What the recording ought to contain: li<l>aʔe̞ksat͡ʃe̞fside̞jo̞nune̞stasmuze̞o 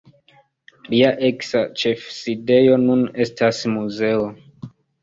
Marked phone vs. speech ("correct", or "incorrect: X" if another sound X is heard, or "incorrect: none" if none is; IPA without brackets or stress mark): incorrect: none